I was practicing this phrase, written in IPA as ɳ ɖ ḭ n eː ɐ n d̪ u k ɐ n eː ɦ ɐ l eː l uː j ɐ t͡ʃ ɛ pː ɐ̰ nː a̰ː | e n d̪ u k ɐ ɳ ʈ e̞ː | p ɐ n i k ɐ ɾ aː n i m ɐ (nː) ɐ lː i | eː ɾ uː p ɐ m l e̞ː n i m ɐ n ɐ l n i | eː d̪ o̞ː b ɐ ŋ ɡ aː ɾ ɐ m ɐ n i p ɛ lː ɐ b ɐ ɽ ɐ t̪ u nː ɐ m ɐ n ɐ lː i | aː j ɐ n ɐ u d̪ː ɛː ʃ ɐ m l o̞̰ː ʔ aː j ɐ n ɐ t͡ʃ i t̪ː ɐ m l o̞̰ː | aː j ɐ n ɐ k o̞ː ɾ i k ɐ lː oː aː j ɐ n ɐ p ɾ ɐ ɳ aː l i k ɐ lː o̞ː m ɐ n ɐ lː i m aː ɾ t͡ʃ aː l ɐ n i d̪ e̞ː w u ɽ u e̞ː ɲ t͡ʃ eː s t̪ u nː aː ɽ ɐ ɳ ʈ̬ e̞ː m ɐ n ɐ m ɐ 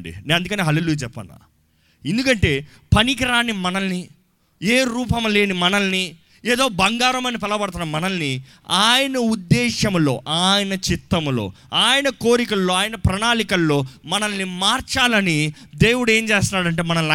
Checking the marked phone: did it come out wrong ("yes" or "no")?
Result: yes